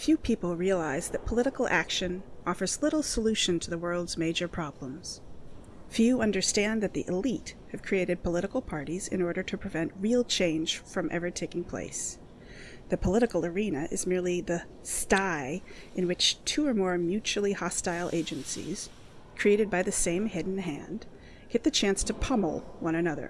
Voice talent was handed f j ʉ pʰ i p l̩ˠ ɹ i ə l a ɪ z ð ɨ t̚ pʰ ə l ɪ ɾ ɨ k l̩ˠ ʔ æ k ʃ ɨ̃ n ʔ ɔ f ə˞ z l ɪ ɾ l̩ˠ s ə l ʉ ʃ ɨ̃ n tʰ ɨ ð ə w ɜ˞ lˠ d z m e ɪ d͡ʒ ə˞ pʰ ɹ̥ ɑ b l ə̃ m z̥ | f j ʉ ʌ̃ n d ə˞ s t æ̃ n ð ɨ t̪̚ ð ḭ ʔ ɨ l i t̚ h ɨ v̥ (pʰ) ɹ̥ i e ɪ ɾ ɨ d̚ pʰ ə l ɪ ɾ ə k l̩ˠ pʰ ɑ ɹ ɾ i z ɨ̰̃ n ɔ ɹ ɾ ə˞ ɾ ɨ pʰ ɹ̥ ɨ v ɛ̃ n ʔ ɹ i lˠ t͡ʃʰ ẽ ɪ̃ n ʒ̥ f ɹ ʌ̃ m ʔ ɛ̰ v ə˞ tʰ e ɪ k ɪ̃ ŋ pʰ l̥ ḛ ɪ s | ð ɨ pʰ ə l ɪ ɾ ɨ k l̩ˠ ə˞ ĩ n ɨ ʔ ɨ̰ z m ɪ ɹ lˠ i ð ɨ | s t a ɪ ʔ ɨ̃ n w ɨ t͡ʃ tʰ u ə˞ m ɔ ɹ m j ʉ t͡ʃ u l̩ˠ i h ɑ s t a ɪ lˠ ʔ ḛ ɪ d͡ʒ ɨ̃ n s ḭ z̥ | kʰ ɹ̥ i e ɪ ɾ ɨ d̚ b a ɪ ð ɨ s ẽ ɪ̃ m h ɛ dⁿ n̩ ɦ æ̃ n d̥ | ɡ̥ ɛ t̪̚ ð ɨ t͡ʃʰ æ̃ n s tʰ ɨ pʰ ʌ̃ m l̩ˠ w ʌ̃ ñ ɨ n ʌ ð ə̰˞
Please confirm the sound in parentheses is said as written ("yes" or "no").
no